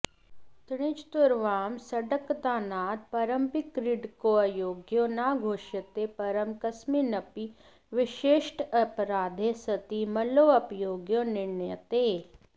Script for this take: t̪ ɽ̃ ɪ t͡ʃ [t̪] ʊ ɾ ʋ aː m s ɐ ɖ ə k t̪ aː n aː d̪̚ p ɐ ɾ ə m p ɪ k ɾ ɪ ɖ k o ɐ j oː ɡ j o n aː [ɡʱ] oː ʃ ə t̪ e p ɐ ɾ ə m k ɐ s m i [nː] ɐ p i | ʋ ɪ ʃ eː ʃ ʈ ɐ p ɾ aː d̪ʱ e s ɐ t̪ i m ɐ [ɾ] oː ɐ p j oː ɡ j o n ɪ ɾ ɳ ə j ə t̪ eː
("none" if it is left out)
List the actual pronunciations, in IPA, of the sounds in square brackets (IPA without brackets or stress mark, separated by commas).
t̪, ɡʱ, n, l